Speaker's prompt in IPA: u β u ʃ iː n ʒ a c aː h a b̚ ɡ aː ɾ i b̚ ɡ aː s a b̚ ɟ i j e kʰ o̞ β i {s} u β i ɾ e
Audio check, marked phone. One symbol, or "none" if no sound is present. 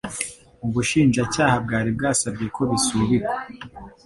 s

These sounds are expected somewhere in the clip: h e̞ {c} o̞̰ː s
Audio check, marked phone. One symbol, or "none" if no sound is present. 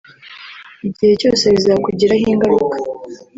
c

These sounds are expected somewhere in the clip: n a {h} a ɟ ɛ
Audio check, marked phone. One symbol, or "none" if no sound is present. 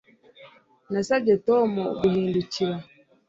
s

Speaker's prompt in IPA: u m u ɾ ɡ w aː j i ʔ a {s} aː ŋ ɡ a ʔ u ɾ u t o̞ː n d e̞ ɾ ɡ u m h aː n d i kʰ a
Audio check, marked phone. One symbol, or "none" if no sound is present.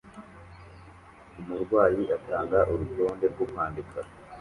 t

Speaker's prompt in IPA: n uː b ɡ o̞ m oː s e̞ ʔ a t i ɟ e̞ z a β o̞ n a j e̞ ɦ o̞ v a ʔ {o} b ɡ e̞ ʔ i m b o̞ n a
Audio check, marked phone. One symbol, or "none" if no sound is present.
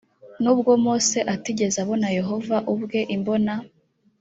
u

